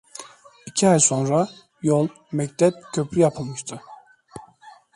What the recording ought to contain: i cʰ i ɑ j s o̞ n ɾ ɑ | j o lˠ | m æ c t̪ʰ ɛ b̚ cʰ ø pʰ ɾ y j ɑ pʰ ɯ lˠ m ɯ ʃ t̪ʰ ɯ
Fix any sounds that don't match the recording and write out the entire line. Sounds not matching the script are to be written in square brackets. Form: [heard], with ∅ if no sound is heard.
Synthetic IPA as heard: i cʰ i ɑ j s o̞ n ɾ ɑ | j o lˠ | m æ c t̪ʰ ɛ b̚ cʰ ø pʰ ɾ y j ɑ pʰ ɯ lˠ m ɯ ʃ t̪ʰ ɯ